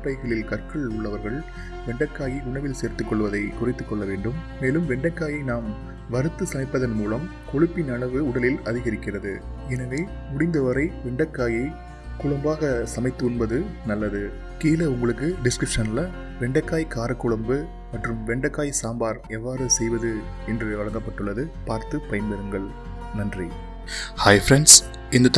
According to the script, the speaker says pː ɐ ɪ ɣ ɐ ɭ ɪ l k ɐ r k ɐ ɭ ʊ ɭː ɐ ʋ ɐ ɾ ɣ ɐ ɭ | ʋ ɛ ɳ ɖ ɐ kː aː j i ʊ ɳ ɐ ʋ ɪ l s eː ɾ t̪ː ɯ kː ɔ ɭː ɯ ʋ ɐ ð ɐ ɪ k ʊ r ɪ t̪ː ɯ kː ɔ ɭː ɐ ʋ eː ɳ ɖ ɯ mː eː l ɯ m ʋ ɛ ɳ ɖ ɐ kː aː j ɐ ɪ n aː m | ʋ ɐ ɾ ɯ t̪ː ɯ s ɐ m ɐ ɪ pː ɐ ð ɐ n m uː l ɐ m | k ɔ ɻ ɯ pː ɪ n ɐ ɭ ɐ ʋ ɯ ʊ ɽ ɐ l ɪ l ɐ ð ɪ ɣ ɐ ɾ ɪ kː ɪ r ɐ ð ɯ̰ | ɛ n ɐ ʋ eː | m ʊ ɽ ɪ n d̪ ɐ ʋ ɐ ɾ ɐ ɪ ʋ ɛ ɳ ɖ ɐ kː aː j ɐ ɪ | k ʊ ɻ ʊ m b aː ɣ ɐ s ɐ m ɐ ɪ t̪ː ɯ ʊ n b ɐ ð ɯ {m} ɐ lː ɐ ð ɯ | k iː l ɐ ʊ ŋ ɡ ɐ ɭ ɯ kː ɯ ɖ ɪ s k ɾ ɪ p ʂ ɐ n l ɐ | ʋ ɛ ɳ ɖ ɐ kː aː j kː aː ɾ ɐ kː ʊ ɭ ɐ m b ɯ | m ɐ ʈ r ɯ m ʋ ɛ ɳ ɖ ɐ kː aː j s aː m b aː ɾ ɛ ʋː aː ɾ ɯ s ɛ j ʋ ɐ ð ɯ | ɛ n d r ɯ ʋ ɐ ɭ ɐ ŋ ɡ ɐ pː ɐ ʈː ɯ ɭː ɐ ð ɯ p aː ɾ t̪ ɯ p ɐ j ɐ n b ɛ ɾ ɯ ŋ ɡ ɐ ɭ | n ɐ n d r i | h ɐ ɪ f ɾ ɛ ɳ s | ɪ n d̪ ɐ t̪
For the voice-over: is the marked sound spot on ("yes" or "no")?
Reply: no